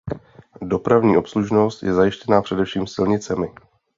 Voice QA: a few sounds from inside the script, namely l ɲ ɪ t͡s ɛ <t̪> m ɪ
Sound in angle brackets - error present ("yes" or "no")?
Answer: yes